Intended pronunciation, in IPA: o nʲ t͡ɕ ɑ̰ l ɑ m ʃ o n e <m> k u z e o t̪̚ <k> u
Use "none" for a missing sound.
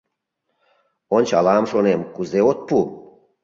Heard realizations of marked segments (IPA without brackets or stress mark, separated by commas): m, p